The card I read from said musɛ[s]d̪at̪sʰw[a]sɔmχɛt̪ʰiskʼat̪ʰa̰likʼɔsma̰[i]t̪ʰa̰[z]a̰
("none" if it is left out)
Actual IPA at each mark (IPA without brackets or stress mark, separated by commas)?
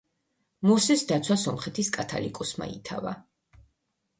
s, a, i, v